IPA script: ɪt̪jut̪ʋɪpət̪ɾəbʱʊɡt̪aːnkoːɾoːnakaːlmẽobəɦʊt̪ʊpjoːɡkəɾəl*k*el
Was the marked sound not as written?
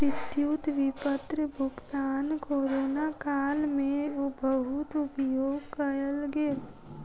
yes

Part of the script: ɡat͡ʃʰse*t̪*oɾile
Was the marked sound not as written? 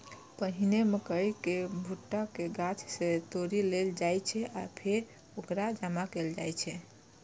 no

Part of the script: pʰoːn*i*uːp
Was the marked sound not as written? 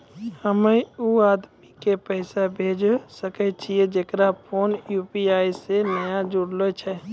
yes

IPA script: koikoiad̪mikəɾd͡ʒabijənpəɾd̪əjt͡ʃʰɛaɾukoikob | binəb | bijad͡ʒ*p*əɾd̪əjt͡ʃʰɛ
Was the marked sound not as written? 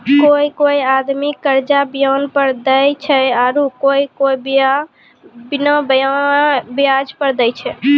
no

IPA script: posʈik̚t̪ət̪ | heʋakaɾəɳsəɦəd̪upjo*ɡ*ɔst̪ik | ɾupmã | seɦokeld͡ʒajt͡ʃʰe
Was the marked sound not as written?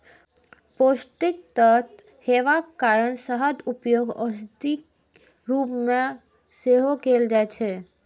no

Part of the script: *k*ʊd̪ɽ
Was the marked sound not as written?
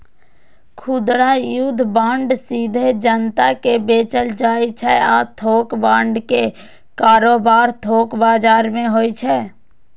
yes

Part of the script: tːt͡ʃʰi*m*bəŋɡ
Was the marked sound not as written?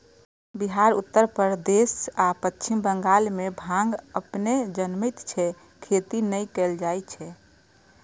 no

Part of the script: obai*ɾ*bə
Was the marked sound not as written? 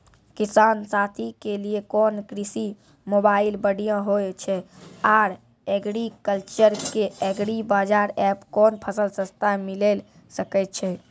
yes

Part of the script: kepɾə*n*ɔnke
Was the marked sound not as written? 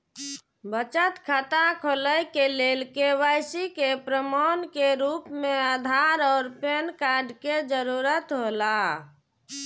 yes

